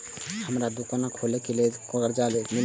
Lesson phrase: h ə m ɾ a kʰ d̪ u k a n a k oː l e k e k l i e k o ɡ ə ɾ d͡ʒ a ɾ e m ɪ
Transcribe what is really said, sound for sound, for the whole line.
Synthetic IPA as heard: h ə m ɾ a d̪ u k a n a kʰ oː l e k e l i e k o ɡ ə ɾ d͡ʒ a l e m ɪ